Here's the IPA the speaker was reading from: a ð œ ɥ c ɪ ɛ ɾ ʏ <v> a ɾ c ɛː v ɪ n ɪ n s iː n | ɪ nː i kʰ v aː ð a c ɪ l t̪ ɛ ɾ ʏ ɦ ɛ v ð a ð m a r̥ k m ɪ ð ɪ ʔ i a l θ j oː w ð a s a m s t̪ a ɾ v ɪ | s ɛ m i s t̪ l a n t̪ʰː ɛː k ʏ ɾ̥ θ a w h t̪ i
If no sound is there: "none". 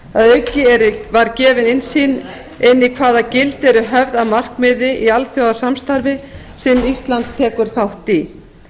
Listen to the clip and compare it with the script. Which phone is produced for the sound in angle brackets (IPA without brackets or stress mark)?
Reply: v